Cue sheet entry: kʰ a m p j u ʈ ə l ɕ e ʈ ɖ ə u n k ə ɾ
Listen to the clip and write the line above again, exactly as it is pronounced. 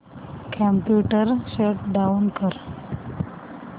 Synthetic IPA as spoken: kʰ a m p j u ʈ ə ɾ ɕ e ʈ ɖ a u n k ə ɾ